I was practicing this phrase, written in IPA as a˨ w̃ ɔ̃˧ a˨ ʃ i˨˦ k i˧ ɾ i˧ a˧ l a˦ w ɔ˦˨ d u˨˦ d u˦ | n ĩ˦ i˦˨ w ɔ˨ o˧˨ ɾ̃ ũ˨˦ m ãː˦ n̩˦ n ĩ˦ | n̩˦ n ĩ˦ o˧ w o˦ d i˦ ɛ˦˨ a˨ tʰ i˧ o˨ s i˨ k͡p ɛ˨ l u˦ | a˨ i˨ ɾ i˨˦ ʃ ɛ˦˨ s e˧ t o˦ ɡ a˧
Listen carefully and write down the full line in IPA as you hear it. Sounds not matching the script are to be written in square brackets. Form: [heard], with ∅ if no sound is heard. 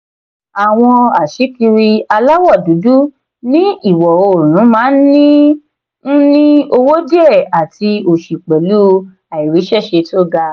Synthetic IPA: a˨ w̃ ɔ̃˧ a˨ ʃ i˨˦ k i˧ ɾ i˧ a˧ l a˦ w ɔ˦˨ d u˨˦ d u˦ | n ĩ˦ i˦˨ w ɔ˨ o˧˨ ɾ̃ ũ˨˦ m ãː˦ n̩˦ n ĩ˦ | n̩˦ n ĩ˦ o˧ w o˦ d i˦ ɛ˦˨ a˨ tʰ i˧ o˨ [ʃ] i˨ k͡p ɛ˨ l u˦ | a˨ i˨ ɾ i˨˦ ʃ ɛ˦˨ [ʃ] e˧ t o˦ ɡ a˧